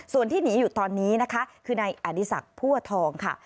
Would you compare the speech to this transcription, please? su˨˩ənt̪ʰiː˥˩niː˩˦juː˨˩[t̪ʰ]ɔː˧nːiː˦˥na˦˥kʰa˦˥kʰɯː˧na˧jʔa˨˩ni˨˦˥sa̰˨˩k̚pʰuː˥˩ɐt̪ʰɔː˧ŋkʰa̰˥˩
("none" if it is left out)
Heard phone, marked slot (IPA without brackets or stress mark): t̪